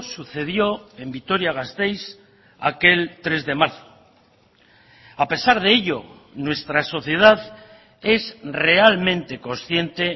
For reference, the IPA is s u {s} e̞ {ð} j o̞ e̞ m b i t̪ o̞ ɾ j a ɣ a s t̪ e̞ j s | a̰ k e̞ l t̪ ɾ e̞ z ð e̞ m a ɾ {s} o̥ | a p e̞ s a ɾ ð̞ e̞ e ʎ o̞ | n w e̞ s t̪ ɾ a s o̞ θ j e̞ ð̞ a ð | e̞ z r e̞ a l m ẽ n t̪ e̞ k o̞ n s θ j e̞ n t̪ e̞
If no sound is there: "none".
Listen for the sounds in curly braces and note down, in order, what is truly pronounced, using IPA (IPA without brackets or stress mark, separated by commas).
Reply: θ, ð, θ